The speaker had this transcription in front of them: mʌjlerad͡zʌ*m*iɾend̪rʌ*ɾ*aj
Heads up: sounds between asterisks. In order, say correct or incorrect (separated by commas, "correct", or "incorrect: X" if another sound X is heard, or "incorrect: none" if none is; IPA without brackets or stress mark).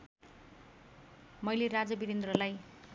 incorrect: b, incorrect: l